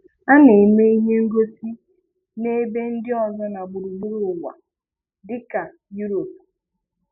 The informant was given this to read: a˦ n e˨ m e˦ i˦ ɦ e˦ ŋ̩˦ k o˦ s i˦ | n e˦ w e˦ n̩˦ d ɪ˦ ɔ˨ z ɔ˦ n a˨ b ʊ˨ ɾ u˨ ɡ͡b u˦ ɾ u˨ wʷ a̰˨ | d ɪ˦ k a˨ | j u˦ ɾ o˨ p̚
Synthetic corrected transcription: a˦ n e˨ m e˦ i˦ ɦ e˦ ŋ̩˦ ɡ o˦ s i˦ | n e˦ b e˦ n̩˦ d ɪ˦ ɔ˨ z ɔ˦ n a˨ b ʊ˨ ɾ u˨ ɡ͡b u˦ ɾ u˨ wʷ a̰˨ | d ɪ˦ k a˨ | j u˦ ɾ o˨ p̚